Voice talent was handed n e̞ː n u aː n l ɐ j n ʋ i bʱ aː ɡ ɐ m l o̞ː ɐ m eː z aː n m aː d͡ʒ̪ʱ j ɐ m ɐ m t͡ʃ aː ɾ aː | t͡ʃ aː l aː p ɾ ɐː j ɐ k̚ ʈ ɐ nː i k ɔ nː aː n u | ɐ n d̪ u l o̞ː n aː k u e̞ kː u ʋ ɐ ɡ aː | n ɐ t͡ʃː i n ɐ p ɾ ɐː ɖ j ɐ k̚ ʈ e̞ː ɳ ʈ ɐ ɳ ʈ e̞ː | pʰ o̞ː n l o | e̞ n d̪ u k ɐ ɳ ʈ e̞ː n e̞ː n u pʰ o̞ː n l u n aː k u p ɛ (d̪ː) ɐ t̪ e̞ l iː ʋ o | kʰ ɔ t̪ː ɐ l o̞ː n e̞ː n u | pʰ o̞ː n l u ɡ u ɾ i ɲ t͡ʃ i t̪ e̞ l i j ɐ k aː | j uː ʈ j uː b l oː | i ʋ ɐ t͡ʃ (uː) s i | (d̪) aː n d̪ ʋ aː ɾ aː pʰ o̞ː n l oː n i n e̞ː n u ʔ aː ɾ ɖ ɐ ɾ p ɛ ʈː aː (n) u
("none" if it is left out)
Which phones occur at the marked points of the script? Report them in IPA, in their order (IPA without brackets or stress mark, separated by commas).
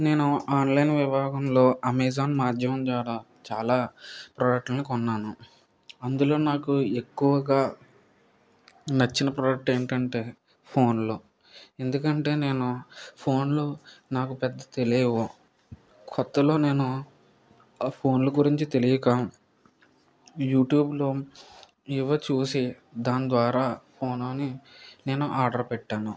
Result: d̪ː, uː, d̪, n